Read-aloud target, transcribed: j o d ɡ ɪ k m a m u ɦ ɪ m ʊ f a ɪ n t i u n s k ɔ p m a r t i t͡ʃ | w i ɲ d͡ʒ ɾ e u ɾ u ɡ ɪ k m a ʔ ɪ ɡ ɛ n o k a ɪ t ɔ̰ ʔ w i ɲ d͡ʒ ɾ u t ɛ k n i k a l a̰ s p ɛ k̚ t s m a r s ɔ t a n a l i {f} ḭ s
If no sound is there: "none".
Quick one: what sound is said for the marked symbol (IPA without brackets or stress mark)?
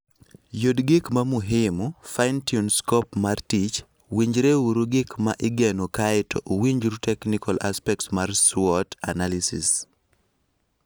s